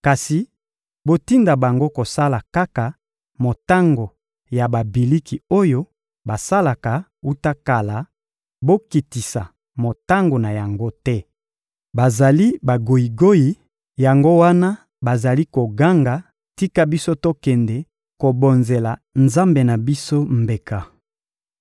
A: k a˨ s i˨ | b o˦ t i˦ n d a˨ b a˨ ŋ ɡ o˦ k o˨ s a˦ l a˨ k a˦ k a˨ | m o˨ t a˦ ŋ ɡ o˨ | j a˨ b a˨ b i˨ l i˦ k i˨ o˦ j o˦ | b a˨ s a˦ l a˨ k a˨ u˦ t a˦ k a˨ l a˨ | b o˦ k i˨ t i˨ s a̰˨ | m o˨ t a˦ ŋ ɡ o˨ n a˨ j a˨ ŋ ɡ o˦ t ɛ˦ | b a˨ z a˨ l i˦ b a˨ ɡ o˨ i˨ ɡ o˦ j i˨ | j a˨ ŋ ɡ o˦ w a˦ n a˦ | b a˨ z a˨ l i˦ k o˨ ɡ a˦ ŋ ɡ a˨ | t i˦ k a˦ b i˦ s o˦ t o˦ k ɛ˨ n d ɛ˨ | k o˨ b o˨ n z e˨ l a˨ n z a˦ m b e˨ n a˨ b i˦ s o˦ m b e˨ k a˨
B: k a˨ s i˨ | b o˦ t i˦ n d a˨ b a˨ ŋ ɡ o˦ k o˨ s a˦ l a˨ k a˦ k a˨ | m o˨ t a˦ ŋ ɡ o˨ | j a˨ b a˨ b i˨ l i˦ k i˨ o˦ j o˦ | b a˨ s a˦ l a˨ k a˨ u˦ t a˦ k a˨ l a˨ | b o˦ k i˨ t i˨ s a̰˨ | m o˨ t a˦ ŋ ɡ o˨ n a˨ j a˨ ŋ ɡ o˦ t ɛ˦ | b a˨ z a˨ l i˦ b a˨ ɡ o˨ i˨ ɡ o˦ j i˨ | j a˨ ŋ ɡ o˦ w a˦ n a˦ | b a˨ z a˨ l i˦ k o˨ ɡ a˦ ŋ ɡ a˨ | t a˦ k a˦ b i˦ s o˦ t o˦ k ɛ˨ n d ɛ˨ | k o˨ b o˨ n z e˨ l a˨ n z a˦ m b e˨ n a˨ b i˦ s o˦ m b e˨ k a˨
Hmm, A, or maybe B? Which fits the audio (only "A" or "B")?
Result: A